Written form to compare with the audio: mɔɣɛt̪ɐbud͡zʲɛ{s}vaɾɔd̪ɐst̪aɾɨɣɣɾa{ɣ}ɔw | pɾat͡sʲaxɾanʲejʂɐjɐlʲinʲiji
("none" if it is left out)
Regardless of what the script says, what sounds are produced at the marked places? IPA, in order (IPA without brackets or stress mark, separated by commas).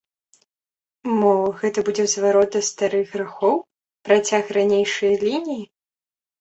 z, x